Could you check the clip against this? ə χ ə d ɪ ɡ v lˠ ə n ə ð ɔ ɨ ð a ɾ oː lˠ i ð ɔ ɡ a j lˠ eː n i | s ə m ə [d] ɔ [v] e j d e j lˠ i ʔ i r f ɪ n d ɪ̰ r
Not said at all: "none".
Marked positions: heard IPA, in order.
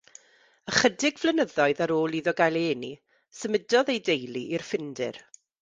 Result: d, ð

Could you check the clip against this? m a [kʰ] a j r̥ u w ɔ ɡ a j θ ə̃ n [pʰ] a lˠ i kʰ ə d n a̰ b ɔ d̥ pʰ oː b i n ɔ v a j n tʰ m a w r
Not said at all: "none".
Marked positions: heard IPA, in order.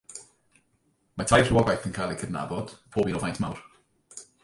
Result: tʰ, kʰ

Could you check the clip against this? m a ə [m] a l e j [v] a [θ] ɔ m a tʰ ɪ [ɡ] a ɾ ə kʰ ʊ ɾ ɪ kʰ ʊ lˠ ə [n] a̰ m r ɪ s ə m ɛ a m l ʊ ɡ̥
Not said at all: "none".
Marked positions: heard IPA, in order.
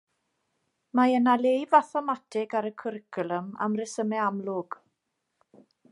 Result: n, v, θ, ɡ, m

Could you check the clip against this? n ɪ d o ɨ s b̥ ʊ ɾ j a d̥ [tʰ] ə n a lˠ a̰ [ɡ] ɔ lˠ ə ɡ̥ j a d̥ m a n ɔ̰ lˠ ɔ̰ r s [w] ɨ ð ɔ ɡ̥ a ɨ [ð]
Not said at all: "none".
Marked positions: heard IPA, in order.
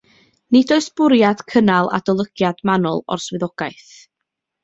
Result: kʰ, d, w, θ

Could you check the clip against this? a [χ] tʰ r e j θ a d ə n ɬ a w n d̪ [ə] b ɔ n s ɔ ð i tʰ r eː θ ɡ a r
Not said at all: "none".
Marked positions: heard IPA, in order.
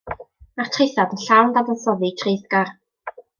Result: χ, a

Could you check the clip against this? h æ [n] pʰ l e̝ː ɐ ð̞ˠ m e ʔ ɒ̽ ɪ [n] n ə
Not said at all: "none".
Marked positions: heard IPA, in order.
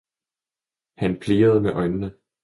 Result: n, n

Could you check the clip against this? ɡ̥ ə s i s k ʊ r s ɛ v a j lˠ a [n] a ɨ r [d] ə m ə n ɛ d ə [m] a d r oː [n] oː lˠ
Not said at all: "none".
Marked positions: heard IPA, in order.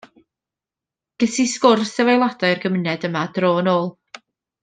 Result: d, ɡ, m, n

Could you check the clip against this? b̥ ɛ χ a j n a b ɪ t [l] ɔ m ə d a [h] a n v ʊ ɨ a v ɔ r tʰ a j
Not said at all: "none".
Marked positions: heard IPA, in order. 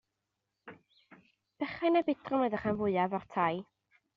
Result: r, χ

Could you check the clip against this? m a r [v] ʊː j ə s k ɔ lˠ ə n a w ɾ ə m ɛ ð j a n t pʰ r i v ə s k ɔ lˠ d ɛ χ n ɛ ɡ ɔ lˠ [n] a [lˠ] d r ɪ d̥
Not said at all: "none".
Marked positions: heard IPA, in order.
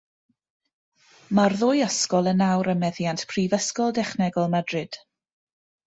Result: ð, m, none

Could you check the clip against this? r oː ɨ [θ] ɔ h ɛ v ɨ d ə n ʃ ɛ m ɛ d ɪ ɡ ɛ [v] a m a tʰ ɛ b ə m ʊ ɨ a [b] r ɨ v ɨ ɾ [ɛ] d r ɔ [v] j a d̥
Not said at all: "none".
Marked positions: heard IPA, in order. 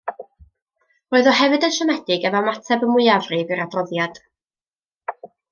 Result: ð, v, v, a, ð

